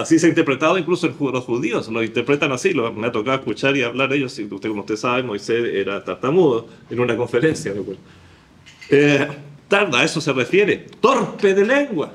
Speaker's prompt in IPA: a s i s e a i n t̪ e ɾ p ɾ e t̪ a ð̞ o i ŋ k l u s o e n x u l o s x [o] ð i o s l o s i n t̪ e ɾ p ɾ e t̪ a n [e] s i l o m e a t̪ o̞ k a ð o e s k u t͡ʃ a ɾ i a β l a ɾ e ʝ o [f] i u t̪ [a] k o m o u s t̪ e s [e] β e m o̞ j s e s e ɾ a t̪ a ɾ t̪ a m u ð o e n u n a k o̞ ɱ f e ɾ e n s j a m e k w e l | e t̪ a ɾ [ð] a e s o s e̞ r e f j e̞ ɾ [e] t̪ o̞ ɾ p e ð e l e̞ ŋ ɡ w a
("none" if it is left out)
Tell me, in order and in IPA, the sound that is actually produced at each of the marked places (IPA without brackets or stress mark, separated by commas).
u, a, s, e, a, ð, e